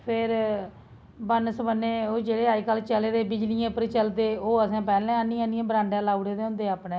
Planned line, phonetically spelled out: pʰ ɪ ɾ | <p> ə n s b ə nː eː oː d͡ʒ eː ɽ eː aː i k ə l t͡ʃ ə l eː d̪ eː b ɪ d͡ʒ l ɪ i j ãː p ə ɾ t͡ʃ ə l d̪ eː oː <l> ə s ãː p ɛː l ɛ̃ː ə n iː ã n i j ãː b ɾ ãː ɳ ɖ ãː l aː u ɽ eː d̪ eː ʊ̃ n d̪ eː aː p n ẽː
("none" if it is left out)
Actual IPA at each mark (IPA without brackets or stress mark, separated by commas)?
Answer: b, none